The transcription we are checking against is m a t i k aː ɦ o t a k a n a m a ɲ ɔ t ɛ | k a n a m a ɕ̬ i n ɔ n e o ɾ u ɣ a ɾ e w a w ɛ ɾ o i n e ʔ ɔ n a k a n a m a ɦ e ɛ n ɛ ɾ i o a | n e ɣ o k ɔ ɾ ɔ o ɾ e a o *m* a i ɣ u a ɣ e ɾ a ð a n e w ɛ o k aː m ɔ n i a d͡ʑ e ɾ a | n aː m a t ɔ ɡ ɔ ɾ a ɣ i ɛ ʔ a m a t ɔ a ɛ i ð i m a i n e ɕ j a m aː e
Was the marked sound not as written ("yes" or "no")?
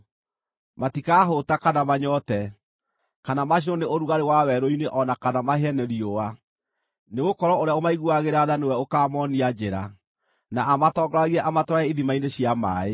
no